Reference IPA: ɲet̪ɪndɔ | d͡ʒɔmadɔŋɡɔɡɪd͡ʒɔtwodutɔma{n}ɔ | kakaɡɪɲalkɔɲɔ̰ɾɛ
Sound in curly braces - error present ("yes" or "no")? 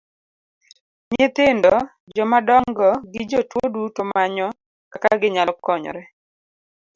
yes